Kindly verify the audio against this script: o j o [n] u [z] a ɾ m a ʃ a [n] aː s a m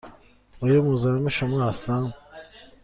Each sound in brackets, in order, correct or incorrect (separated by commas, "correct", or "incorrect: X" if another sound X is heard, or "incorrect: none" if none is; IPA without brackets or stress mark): incorrect: m, correct, incorrect: m